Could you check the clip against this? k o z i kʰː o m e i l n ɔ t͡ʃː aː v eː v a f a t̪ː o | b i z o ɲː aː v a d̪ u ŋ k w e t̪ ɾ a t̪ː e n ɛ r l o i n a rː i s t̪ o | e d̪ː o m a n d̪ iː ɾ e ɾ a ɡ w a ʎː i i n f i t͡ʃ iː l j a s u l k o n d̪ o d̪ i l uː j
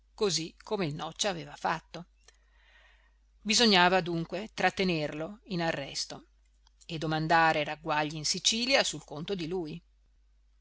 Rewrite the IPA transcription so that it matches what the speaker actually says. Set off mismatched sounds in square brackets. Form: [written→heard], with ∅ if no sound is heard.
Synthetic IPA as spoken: k o z i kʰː o m e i l n ɔ t͡ʃː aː v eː v a f a t̪ː o | b i z o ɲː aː v a d̪ u ŋ k w e t̪ ɾ a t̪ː e n [ɛ→e] r l o i n a rː [i→ɛ] s t̪ o | e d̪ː o m a n d̪ [iː→aː] ɾ e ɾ a ɡ w a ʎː i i n [f→s] i t͡ʃ iː l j a s u l k o n [d̪→t̪] o d̪ i l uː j

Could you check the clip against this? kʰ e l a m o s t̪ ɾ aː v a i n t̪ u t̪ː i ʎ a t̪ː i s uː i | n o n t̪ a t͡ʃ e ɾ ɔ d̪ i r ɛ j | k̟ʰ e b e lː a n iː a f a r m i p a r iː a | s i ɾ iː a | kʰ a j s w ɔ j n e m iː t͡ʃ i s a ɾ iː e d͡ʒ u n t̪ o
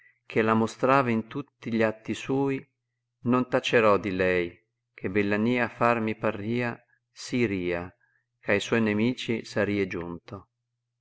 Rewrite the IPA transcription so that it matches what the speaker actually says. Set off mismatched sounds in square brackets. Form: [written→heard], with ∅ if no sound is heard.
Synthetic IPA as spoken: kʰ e l a m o s t̪ ɾ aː v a i n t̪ u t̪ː i ʎ a t̪ː i s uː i | n o n t̪ a t͡ʃ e ɾ ɔ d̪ i [r→l] ɛ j | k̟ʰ e b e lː a n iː a f a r m i p a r iː a | s i ɾ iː a | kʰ a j s w ɔ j n e m iː t͡ʃ i s a ɾ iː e d͡ʒ u n t̪ o

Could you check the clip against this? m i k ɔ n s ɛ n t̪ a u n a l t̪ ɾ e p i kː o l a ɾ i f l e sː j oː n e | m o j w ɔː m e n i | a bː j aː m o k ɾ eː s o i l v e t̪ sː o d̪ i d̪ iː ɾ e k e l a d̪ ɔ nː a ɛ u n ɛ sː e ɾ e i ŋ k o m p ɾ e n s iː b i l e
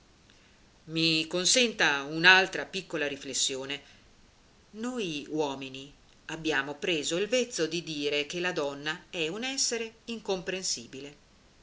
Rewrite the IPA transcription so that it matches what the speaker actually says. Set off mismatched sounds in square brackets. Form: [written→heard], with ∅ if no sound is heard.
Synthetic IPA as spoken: m i k [ɔ→o] n s ɛ n t̪ a u n a l t̪ ɾ [e→a] p i kː o l a ɾ i f l e sː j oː n e | [m→n] o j w ɔː m [e→i] n i | a bː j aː m o [k→p] ɾ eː [s→z] o i l v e t̪ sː o d̪ i d̪ iː ɾ e k e l a d̪ ɔ nː a ɛ u n ɛ sː e ɾ e i ŋ k o m p ɾ e n s iː b i l e

